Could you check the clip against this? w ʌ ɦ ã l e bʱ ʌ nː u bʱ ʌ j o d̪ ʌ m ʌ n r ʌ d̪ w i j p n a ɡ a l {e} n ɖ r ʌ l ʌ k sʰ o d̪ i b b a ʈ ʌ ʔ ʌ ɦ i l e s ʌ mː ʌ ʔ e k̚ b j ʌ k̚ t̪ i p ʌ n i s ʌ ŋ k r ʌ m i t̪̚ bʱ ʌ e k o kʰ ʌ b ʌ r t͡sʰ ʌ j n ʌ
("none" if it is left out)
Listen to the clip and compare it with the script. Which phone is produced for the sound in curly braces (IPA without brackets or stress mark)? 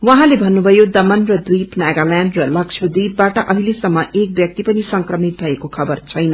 a